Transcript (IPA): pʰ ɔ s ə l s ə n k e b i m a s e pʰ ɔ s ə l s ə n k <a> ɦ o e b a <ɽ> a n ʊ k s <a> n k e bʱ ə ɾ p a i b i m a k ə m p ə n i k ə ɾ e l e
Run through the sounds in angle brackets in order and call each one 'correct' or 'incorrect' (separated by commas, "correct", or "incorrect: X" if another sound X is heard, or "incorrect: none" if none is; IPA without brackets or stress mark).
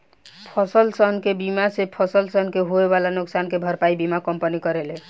incorrect: e, incorrect: l, correct